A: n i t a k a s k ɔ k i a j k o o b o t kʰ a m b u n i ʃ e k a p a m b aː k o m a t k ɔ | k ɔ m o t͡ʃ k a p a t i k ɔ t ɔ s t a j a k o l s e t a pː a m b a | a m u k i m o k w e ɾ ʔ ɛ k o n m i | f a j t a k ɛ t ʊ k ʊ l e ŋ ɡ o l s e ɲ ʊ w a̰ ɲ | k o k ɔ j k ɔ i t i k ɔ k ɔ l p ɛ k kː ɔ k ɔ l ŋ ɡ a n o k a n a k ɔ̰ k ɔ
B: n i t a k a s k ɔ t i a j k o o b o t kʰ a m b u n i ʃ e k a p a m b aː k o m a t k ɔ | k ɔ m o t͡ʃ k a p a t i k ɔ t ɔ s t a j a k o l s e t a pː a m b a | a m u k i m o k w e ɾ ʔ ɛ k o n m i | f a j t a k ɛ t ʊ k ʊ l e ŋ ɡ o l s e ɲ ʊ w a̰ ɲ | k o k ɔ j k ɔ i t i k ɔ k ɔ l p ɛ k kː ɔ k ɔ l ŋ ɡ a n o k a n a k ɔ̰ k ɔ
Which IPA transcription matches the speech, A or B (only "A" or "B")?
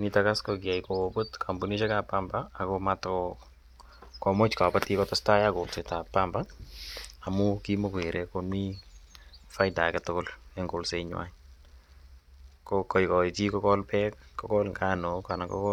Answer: A